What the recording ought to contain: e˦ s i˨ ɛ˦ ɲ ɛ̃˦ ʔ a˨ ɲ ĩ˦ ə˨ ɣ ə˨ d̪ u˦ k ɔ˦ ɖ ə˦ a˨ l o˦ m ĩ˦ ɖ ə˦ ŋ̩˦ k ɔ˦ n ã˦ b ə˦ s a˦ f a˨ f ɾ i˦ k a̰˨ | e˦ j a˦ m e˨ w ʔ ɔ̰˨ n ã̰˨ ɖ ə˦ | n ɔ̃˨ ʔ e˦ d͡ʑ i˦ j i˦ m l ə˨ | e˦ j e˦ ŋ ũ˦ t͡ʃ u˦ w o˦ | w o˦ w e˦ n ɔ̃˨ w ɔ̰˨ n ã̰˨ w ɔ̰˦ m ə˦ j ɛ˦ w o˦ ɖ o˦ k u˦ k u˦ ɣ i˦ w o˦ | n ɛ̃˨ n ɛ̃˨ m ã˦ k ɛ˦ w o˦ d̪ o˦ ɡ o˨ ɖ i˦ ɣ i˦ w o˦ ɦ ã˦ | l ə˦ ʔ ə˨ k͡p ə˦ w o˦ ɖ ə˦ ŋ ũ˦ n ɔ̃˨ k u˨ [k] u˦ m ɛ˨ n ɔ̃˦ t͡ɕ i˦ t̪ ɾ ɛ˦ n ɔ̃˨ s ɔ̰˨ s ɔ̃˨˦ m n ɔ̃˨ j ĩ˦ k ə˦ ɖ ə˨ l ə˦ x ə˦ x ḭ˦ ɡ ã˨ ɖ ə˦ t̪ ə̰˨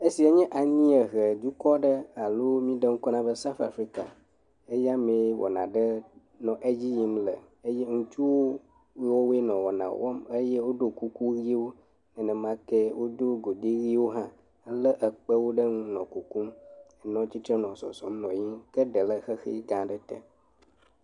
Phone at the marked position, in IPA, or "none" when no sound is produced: k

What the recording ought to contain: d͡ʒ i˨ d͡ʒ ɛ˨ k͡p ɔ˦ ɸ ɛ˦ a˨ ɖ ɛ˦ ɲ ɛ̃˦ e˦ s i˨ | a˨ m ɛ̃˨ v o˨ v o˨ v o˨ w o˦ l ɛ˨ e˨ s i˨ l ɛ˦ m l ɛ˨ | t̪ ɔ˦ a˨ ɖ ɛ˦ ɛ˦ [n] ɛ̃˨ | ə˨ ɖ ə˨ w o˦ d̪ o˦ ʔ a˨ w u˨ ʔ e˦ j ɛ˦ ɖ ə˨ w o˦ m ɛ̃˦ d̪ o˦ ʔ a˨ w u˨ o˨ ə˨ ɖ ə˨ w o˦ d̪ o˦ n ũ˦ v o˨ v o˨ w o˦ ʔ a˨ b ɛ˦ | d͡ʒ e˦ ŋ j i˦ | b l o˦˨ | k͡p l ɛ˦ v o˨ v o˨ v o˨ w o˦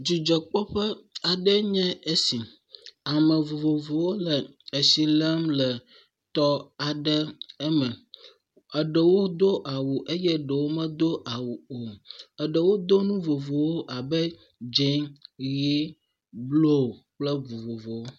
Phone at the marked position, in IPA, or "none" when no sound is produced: m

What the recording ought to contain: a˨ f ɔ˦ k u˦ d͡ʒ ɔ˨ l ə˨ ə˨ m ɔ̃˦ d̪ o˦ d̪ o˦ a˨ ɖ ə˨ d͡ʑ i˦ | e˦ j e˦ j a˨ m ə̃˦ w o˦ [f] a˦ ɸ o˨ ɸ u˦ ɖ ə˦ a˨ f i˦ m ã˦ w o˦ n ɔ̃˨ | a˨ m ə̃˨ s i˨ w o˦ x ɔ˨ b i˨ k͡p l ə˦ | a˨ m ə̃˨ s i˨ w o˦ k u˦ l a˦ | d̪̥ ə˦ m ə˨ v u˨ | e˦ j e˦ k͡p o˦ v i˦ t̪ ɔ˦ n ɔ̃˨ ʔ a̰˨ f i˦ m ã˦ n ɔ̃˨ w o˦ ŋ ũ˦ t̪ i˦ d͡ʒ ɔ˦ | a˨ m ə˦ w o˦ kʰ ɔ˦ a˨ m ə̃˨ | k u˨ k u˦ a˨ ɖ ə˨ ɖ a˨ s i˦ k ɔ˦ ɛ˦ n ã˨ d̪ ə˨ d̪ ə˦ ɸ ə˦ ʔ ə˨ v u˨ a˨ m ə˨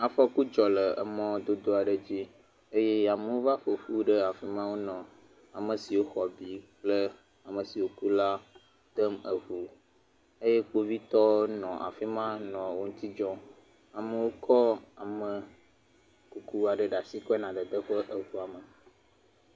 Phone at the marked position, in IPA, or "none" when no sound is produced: v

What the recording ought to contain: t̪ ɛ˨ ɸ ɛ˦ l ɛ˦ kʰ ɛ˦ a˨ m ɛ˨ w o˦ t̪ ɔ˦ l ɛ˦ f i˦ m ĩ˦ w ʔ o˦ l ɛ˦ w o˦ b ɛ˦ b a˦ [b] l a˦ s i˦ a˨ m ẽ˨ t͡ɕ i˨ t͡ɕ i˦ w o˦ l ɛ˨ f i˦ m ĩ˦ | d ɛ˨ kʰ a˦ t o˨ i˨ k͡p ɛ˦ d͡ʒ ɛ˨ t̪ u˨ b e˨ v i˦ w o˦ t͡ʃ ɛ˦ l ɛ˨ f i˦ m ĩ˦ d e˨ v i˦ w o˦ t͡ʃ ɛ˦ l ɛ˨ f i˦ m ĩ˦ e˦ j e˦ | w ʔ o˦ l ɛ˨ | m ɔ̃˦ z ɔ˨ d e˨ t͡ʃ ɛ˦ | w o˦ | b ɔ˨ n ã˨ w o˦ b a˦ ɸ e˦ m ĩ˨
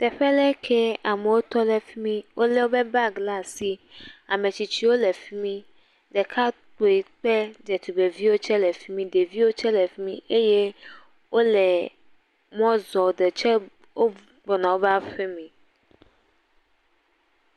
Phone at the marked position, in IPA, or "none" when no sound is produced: ɡ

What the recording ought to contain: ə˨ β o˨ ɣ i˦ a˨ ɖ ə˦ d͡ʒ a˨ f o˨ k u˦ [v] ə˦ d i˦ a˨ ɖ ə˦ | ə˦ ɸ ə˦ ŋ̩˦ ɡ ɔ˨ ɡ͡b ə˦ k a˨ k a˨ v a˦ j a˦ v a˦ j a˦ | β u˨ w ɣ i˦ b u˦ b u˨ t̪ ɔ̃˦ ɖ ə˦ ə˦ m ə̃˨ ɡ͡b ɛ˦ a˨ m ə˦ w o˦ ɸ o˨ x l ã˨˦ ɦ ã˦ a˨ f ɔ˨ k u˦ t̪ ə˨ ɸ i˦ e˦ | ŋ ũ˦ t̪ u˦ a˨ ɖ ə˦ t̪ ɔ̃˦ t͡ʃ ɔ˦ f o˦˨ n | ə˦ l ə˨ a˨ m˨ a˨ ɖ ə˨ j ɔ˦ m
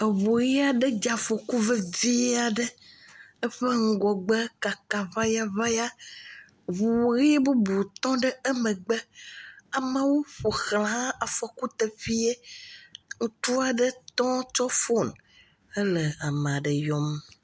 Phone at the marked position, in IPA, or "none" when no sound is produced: v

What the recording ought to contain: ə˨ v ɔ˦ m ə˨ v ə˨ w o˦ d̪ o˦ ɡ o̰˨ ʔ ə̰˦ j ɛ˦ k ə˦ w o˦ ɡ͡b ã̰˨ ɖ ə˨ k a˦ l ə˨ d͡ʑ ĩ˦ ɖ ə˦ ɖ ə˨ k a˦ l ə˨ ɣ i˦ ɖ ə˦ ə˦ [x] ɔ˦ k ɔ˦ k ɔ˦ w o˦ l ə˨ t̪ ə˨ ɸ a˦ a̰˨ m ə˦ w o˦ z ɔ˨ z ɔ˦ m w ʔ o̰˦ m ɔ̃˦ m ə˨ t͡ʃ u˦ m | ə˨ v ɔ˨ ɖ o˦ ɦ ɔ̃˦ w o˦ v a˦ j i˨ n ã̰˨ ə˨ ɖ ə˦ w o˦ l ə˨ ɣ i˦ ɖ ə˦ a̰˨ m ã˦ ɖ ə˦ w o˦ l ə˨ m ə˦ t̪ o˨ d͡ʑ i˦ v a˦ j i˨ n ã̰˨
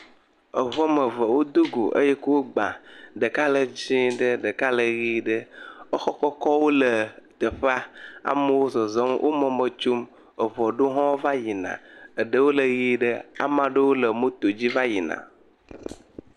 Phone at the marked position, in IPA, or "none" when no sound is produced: x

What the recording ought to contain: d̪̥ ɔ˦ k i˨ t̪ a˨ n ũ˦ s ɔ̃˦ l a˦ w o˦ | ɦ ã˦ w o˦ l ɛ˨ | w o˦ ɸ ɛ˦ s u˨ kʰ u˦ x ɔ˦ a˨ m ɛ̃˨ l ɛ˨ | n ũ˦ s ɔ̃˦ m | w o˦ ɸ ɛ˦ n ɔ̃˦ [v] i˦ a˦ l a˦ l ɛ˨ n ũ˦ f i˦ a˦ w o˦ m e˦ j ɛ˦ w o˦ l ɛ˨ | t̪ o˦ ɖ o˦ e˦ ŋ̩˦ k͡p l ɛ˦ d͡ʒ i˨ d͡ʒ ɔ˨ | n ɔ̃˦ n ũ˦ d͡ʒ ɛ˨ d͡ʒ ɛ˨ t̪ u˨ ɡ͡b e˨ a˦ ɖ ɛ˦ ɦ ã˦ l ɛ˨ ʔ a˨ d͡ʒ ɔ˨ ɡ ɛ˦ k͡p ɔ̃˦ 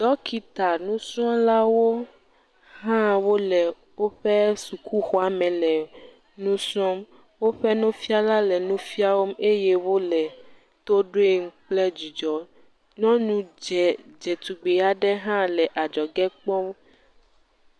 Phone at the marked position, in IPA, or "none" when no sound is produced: f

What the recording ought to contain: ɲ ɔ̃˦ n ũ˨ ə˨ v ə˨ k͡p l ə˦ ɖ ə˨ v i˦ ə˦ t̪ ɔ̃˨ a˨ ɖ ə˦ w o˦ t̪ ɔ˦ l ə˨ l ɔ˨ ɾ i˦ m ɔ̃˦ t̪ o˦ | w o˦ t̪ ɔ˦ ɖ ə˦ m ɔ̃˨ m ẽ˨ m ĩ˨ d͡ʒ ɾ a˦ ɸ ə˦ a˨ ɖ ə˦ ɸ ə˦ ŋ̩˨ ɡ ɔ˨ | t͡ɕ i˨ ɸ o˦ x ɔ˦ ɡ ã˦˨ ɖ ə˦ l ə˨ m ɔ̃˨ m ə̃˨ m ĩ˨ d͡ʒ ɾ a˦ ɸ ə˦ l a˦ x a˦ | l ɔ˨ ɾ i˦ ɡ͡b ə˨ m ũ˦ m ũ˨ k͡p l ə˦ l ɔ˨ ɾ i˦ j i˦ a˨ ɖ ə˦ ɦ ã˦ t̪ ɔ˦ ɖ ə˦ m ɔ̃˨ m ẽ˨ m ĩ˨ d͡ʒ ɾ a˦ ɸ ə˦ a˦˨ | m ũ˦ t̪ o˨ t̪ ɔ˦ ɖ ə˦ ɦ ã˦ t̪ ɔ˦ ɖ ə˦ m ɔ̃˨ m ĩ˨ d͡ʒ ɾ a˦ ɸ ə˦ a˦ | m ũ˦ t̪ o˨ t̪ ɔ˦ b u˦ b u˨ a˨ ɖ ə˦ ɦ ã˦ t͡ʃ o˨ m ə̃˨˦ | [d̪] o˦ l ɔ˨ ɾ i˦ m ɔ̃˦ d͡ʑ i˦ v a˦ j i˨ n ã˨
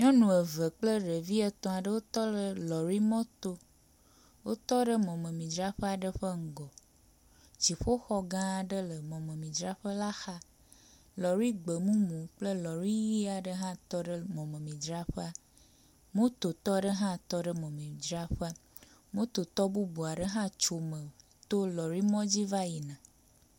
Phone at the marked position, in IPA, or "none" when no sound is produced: t̪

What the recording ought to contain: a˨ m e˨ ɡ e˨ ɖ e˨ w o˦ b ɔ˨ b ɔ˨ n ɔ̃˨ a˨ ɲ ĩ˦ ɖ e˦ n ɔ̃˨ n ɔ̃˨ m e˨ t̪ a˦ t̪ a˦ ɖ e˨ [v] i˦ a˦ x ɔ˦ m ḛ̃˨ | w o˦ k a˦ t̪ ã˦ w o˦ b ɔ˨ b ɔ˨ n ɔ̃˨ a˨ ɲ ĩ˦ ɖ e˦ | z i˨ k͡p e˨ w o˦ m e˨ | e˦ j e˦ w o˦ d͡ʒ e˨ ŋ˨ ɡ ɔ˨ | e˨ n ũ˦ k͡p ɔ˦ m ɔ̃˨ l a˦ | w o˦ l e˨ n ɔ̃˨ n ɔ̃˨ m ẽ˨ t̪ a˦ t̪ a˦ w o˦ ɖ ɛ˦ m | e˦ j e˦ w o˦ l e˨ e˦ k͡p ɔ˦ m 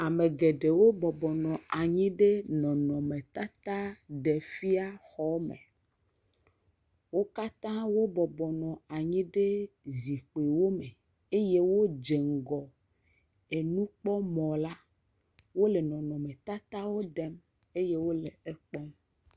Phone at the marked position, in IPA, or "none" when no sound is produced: f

